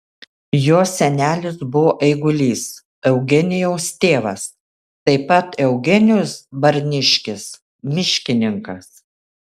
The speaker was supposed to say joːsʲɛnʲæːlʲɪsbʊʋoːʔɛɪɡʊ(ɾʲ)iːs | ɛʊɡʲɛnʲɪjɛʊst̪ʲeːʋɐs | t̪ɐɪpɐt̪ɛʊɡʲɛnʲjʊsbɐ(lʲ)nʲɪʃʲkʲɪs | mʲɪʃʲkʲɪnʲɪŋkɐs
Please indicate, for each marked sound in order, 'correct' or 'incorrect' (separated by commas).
incorrect, incorrect